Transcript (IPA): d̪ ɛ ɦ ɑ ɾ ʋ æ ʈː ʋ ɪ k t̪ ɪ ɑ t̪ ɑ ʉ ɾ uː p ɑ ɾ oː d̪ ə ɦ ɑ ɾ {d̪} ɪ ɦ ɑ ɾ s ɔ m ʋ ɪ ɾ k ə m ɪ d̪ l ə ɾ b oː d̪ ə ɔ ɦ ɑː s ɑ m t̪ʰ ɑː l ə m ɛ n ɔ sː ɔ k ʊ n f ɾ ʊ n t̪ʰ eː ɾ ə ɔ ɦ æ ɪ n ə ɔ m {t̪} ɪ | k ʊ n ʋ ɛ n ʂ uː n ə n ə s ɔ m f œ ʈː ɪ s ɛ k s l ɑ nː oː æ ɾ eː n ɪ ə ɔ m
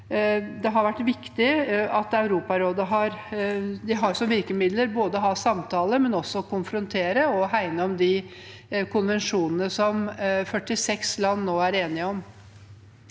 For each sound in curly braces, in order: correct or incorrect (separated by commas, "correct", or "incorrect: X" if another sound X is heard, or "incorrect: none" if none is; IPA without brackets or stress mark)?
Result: correct, incorrect: d̪